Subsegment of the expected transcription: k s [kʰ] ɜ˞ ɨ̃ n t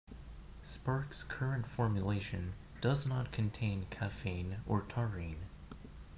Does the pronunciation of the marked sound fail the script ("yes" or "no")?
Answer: no